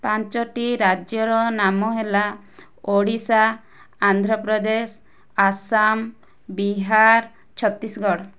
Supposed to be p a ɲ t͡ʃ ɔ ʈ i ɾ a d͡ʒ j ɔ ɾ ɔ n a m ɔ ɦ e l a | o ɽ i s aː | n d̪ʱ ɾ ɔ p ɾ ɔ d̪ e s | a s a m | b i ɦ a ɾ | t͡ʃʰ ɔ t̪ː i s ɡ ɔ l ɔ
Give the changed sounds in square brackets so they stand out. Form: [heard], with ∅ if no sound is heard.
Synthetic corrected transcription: p a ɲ t͡ʃ ɔ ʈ i ɾ a d͡ʒ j ɔ ɾ ɔ n a m ɔ ɦ e l a | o ɽ i s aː | n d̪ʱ ɾ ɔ p ɾ ɔ d̪ e s | a s a m | b i ɦ a ɾ | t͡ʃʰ ɔ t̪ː i s ɡ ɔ [ɽ] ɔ

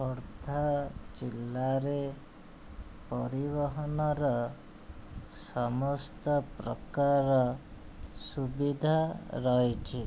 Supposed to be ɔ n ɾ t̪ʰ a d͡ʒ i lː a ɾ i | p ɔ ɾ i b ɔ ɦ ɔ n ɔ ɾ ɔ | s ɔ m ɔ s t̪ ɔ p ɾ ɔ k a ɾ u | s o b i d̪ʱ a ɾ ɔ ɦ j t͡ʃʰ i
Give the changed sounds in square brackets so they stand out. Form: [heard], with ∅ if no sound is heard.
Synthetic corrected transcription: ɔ [∅] ɾ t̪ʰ a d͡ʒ i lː a ɾ [e] | p ɔ ɾ i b ɔ ɦ ɔ n ɔ ɾ ɔ | s ɔ m ɔ s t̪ ɔ p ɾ ɔ k a ɾ [ɔ] | s [u] b i d̪ʱ a ɾ ɔ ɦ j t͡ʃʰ i

